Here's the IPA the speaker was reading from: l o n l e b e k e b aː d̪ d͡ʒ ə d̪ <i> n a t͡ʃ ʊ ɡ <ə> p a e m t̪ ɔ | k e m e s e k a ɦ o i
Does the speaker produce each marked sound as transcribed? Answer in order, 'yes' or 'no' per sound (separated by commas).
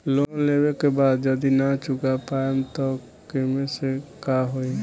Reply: yes, no